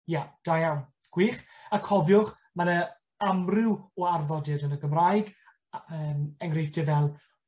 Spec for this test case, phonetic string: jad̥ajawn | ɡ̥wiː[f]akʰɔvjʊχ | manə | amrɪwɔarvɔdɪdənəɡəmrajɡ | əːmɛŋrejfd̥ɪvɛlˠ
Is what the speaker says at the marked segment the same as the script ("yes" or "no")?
no